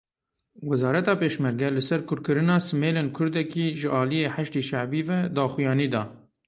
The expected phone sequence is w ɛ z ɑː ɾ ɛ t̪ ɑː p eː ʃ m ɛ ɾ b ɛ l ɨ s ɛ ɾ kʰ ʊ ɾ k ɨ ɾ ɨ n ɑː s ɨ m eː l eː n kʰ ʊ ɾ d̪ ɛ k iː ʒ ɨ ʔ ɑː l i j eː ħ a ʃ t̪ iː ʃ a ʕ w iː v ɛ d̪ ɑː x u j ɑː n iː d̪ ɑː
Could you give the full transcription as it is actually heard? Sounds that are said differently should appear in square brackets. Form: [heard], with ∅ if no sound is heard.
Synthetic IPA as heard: w ɛ z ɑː ɾ ɛ t̪ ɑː p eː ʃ m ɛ ɾ [ɡ] ɛ l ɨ s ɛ ɾ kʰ ʊ ɾ k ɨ ɾ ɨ n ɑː s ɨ m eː l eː n kʰ ʊ ɾ d̪ ɛ k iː ʒ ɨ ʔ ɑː l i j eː ħ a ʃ t̪ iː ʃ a ʕ [b] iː v ɛ d̪ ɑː x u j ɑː n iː d̪ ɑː